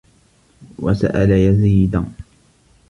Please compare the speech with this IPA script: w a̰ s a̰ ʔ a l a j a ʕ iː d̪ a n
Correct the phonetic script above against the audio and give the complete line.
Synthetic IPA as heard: w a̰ s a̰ ʔ a l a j a z iː d̪ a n